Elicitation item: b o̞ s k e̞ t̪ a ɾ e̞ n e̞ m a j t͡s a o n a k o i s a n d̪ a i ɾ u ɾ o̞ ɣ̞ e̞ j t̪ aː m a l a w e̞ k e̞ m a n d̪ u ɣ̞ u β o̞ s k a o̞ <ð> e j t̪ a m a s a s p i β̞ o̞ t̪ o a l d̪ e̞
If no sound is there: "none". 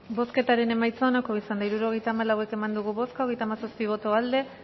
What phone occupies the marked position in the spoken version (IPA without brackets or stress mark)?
ɣ